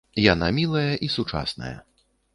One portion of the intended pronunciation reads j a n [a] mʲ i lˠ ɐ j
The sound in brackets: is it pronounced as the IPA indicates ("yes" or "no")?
yes